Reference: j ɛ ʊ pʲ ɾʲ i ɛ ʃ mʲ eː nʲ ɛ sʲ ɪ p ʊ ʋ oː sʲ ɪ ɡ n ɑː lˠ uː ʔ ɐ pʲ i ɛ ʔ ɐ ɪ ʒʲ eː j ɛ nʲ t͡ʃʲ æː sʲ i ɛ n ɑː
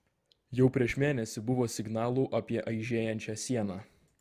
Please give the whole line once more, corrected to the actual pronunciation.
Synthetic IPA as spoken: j ɛ ʊ pʲ ɾʲ i ɛ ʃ mʲ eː nʲ ɛ sʲ ɪ b ʊ ʋ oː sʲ ɪ ɡ n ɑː lˠ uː ʔ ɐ pʲ i ɛ ʔ ɐ ɪ ʒʲ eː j ɛ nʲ t͡ʃʲ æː sʲ i ɛ n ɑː

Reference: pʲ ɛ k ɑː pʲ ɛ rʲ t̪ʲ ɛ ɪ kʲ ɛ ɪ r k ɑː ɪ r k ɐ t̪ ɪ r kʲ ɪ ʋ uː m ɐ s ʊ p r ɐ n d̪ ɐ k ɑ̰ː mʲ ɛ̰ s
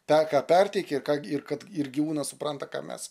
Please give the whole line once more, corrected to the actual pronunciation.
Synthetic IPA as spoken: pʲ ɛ k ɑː pʲ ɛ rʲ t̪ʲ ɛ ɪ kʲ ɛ ɪ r k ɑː ɪ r k ɐ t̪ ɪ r ɡʲ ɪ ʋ uː n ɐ s ʊ p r ɐ n t̪ ɐ k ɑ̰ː mʲ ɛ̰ s

